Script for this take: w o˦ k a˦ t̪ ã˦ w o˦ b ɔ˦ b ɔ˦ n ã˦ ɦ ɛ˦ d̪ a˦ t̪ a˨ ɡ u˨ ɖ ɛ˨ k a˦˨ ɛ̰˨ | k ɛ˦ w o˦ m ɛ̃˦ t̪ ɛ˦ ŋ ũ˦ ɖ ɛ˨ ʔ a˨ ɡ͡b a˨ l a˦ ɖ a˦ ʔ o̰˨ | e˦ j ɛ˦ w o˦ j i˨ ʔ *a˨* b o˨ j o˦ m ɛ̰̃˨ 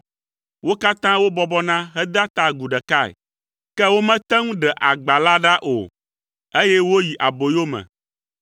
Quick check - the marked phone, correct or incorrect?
correct